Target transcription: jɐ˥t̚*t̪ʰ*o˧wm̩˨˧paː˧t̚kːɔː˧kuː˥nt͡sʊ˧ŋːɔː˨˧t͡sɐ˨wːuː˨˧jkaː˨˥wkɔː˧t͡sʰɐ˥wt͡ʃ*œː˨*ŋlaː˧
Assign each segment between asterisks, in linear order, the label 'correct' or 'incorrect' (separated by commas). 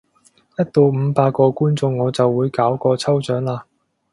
incorrect, incorrect